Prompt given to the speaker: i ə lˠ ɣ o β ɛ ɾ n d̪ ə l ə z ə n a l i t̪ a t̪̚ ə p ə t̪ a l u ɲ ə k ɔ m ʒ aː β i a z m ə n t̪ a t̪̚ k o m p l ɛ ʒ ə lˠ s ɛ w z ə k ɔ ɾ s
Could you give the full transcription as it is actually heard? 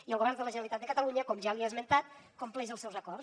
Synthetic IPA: i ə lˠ ɣ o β ɛ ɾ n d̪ ə l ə ʒ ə n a l i t̪ a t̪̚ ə k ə t̪ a l u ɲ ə k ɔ m ʒ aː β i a z m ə n t̪ a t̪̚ k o m p l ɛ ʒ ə lˠ s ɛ w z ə k ɔ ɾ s